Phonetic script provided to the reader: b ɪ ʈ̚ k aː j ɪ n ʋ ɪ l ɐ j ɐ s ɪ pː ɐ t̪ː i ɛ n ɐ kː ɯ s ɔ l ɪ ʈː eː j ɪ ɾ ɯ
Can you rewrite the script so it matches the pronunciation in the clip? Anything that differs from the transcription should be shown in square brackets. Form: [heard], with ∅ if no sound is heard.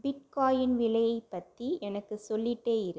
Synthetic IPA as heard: b ɪ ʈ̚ k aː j ɪ n ʋ ɪ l ɐ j ɐ [∅] ɪ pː ɐ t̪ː i ɛ n ɐ kː ɯ s ɔ [lː] ɪ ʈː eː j ɪ ɾ ɯ